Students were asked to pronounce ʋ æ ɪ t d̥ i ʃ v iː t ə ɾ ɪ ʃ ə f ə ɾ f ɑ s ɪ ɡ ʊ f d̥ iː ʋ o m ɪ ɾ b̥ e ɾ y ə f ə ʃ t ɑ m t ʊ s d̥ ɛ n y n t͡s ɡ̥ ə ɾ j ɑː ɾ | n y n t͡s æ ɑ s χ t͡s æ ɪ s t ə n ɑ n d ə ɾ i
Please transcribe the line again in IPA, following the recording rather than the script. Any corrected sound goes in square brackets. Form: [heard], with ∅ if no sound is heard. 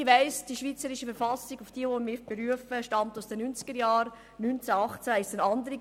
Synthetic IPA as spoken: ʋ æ ɪ [s] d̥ i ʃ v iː [t͡s] ə ɾ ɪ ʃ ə f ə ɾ f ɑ s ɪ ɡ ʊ f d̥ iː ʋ o m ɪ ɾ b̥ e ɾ y ə f ə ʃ t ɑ m t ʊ s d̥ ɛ n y n t͡s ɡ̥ ə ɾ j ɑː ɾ | n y n t͡s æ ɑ [∅] χ t͡s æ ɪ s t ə n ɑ n d ə ɾ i